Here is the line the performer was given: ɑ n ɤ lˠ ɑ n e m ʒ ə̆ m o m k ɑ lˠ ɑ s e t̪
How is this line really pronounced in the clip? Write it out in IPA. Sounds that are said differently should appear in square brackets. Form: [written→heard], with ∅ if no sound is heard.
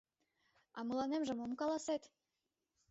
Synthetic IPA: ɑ [n→m] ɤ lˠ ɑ n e m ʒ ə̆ m o m k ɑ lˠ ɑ s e t̪